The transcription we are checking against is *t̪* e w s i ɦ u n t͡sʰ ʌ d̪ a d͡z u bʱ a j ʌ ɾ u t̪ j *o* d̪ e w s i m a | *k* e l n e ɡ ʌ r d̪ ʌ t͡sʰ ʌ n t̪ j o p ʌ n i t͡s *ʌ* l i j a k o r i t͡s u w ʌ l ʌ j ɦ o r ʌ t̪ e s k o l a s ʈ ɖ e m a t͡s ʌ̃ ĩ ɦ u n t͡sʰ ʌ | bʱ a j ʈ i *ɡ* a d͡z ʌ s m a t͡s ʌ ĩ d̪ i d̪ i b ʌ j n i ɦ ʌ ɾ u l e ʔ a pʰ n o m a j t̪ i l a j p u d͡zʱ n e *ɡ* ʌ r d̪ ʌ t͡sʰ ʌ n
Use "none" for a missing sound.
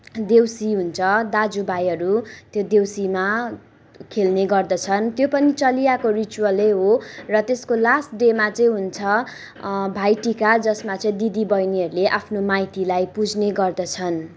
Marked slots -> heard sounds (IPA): d̪, o, kʰ, ʌ, k, ɡ

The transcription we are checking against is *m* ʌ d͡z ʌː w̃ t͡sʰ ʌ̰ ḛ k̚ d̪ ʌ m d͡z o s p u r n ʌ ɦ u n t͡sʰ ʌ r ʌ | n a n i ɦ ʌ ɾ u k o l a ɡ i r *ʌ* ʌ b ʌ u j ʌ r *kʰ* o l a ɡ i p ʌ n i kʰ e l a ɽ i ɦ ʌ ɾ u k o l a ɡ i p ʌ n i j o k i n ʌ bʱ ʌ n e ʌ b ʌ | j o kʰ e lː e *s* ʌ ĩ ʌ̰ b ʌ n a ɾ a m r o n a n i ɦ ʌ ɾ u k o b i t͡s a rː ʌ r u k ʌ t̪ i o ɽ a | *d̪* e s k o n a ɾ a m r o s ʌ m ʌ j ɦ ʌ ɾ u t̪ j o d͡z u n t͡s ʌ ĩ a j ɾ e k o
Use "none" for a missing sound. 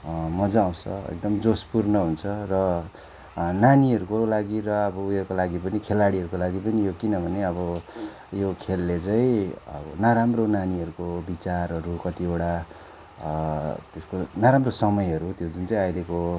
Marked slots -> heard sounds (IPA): m, ʌ, k, t͡s, t̪

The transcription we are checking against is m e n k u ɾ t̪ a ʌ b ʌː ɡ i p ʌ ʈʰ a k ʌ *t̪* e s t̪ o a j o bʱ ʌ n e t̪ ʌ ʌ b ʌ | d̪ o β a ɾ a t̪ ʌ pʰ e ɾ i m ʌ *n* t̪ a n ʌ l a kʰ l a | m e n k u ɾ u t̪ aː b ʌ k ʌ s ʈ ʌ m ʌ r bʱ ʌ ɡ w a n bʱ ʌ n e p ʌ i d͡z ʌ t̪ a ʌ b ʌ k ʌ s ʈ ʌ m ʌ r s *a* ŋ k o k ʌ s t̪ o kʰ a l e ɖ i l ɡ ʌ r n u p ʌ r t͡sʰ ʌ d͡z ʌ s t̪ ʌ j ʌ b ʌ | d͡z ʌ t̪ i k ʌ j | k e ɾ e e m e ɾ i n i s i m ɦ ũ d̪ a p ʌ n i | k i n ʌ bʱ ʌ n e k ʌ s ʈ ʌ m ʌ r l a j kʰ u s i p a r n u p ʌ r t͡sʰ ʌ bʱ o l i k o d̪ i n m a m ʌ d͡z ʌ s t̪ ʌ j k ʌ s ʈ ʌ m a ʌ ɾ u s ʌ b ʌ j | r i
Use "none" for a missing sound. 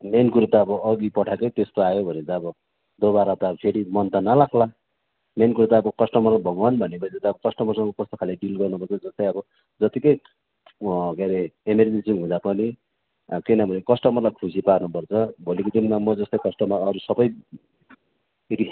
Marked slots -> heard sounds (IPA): t̪, n, ʌ

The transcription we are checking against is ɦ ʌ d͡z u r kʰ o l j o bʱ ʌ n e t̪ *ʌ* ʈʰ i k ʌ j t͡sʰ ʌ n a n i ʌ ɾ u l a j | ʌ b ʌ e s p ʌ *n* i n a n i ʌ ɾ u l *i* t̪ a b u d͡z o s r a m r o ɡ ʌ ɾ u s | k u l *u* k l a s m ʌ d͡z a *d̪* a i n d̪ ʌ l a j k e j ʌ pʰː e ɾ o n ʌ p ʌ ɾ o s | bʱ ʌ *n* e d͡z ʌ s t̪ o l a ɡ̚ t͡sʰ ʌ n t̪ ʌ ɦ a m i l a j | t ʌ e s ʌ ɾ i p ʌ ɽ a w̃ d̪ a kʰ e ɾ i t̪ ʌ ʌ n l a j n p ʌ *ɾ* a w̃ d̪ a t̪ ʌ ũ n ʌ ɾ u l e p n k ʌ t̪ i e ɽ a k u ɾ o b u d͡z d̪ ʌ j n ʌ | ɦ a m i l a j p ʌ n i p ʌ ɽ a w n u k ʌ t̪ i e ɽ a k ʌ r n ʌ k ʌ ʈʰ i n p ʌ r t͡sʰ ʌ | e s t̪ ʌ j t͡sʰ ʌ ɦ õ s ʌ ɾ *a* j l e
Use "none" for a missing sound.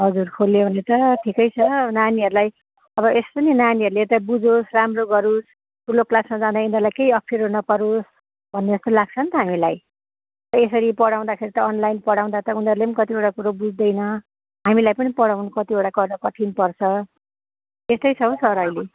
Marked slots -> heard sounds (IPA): ʌ, n, e, o, d̪, nː, ɽ, ʌ

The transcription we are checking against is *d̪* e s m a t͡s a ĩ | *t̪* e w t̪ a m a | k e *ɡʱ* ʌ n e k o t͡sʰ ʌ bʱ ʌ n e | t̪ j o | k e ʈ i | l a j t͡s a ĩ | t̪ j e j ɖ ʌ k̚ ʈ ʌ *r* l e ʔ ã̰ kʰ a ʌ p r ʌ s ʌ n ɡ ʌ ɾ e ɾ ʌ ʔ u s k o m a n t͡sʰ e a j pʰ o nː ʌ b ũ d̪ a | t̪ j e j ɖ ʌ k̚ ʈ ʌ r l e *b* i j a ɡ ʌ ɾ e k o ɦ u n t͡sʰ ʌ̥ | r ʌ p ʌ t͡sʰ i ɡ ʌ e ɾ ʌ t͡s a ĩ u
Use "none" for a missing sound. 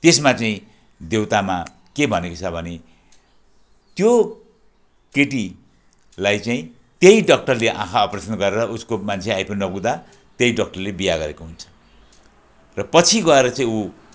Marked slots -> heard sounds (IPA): t̪, d̪, bʱ, r, b

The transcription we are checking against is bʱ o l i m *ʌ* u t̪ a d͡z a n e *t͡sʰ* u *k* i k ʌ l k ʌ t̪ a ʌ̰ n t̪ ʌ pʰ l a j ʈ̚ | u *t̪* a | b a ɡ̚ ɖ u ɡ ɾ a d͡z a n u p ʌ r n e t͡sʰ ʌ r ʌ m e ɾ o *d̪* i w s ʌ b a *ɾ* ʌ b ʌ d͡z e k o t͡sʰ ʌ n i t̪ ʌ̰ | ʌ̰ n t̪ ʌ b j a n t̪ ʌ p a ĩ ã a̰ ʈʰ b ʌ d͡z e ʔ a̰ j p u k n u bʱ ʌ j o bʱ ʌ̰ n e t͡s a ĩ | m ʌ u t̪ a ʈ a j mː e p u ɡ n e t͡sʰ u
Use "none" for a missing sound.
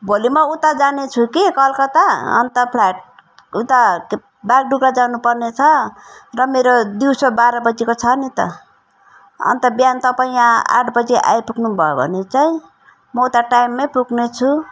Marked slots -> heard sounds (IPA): ʌ, t͡sʰ, k, t̪, d̪, ɾ

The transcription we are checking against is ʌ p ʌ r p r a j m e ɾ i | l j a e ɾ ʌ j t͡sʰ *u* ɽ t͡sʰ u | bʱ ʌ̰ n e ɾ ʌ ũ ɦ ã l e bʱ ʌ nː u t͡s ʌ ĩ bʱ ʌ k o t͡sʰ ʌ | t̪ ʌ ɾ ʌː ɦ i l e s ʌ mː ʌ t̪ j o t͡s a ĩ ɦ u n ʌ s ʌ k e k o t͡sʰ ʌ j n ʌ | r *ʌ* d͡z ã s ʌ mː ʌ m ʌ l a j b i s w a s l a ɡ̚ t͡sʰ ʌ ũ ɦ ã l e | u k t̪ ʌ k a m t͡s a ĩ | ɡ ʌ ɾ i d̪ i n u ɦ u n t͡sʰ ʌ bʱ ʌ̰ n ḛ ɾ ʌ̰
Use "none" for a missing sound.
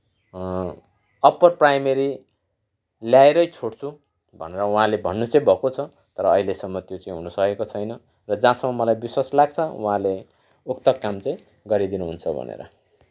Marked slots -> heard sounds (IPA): o, ʌ

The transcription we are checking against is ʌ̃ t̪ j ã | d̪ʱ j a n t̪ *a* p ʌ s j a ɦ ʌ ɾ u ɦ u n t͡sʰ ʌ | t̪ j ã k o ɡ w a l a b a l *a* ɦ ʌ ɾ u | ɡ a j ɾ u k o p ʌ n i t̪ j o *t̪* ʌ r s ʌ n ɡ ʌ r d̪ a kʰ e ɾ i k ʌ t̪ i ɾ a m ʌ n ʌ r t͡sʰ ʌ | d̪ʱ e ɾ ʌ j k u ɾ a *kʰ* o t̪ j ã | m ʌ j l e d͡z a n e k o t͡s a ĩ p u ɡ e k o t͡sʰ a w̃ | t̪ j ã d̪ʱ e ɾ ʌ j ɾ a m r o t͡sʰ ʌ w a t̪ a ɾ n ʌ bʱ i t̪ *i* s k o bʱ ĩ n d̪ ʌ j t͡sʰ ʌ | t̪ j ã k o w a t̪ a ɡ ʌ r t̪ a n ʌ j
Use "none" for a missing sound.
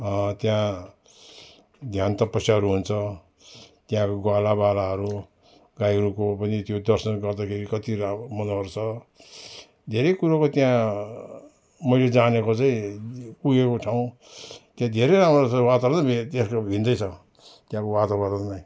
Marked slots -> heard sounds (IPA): ʌ, a, d̪, k, e

